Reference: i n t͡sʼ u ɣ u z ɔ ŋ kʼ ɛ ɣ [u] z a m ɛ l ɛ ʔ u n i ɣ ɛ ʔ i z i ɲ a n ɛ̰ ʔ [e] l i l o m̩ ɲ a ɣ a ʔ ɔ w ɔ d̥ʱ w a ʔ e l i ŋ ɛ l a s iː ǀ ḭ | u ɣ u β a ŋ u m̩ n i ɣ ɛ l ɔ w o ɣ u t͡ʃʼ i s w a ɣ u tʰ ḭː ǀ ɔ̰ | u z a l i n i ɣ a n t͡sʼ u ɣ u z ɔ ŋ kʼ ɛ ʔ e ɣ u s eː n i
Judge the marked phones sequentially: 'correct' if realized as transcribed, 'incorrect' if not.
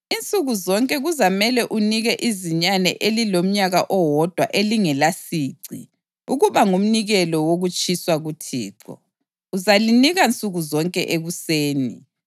correct, correct

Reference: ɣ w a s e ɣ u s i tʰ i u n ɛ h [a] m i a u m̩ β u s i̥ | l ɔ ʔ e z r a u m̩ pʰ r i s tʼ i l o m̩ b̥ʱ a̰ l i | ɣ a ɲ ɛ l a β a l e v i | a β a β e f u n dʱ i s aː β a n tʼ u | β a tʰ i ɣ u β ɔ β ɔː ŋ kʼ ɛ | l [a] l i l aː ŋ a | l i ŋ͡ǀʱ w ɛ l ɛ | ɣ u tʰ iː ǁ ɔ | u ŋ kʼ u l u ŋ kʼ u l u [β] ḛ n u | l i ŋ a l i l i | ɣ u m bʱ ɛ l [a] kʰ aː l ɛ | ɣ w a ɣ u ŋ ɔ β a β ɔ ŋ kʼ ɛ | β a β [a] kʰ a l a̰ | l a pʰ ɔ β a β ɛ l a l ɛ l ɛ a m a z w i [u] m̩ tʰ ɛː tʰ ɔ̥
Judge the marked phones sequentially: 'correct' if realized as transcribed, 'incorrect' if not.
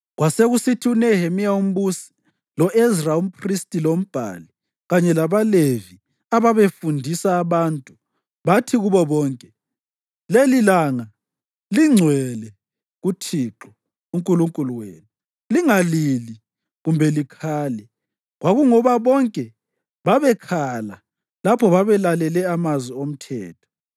incorrect: e, incorrect: e, incorrect: w, incorrect: i, incorrect: ɛ, incorrect: o

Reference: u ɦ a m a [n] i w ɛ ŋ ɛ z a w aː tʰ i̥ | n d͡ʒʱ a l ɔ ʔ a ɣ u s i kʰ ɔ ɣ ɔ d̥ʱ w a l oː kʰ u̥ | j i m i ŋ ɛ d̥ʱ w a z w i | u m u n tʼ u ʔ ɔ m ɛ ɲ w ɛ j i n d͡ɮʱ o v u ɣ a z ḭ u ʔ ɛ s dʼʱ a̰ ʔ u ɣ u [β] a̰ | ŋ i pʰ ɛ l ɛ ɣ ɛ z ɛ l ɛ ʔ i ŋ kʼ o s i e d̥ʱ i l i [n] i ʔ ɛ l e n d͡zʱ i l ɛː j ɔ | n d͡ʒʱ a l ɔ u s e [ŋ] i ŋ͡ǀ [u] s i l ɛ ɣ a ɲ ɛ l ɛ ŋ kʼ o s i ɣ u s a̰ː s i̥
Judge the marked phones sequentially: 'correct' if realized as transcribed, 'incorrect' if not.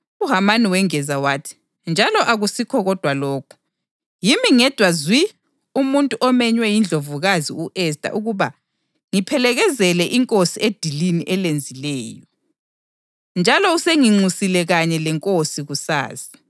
correct, correct, correct, correct, correct

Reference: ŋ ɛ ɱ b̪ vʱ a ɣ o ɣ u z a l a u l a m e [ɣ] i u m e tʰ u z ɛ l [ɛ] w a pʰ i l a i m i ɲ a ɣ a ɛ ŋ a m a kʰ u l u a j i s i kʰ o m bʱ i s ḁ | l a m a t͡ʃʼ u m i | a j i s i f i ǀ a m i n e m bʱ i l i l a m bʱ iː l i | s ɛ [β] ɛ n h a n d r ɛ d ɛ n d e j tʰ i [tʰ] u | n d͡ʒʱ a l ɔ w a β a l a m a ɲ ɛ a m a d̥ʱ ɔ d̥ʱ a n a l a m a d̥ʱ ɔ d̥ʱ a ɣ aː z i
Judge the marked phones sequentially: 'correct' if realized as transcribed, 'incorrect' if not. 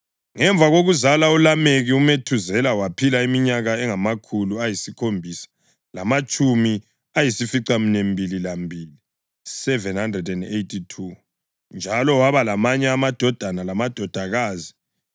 correct, incorrect: a, incorrect: v, correct

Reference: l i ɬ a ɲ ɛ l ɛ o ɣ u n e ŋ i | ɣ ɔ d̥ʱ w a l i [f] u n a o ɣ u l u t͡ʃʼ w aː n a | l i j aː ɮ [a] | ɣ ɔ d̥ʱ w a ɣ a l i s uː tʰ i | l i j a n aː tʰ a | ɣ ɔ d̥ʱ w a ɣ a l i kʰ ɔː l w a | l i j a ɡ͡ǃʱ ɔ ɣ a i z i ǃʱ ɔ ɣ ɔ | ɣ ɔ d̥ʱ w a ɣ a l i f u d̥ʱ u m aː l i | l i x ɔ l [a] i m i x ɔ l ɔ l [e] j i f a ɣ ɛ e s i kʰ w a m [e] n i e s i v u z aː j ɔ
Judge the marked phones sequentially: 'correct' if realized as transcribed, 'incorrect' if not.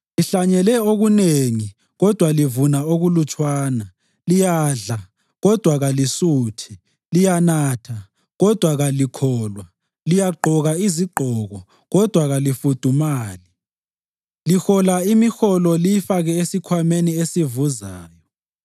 incorrect: v, correct, correct, incorrect: i, correct

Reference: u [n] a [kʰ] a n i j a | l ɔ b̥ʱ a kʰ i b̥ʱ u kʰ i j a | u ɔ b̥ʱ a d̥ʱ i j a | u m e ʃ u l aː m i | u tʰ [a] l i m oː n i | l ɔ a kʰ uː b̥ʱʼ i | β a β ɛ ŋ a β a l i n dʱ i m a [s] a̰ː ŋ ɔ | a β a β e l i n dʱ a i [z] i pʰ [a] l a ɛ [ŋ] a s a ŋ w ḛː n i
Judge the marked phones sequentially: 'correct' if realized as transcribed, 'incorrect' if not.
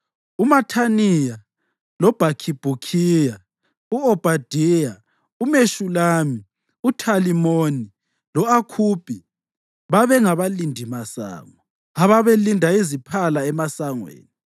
incorrect: m, incorrect: tʰ, correct, correct, correct, correct, incorrect: m

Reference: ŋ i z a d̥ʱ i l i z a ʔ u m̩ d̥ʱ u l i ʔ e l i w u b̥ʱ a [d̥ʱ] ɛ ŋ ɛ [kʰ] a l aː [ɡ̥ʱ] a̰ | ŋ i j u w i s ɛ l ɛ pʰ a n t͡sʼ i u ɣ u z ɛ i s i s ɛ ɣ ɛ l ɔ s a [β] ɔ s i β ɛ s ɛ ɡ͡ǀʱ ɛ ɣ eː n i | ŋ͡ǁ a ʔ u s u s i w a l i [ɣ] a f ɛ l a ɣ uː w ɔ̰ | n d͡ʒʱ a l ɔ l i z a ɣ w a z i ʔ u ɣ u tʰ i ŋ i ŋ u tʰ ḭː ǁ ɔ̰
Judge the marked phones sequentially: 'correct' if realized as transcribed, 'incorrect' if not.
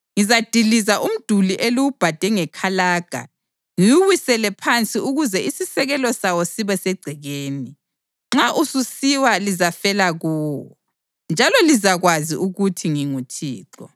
correct, correct, correct, incorrect: w, incorrect: z

